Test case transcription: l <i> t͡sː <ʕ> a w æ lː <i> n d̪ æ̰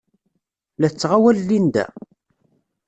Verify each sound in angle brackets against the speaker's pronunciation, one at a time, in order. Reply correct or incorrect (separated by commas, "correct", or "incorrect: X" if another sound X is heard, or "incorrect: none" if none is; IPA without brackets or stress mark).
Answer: incorrect: æ, incorrect: ʁ, correct